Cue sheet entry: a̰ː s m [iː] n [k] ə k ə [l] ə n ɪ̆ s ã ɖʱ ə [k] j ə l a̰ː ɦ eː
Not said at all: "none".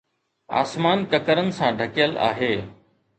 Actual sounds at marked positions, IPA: aː, k, ɾ, k

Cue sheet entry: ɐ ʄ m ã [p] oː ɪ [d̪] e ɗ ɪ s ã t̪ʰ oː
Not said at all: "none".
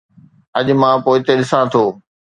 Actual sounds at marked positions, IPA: p, t̪

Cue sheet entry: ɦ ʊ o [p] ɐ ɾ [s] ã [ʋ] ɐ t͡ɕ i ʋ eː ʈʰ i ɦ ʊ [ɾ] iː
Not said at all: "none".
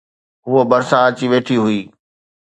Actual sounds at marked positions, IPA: b, s, none, none

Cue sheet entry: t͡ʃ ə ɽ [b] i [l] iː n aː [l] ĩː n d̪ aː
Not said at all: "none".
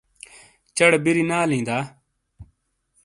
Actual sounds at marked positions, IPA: b, ɾ, l

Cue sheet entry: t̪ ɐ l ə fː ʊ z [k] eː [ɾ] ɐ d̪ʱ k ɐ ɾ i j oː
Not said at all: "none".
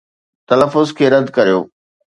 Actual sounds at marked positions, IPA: kʰ, ɾ

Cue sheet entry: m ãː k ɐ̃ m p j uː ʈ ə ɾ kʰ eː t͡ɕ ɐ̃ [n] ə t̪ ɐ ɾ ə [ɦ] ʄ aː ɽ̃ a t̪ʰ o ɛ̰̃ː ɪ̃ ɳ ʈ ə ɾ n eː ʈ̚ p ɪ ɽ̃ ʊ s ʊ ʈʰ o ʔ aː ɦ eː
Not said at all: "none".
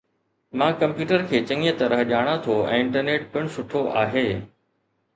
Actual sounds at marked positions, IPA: ŋ, ɦ

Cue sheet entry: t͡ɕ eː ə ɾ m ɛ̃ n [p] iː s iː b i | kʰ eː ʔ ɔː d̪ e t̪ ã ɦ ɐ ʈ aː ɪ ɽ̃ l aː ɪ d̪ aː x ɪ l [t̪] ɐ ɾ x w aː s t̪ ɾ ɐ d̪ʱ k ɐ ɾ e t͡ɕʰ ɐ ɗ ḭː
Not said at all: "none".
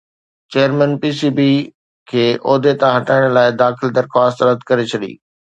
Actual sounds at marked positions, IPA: p, d̪

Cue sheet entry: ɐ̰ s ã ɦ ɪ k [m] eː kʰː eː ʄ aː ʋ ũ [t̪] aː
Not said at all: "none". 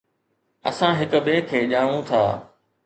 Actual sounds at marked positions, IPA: b, t̪ʰ

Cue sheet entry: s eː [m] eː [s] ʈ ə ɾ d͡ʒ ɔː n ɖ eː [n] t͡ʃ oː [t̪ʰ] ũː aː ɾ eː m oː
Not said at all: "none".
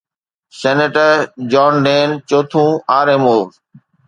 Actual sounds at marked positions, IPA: n, none, n, t̪ʰ

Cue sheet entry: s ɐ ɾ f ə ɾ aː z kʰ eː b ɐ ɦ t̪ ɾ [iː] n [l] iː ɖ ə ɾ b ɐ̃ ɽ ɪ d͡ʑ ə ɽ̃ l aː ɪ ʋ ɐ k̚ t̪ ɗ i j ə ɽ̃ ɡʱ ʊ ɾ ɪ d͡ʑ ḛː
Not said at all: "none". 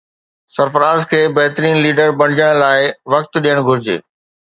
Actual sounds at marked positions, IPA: iː, l

